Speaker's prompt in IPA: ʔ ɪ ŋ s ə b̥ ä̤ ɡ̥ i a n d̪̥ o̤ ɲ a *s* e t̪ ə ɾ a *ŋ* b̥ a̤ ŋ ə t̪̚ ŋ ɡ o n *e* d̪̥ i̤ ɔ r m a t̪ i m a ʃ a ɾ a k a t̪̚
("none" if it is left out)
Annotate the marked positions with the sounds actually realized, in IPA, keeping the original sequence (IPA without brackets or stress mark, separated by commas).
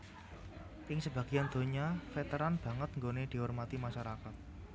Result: f, n, e